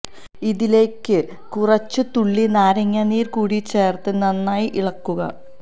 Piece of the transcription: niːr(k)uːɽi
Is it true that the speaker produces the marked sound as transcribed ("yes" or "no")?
yes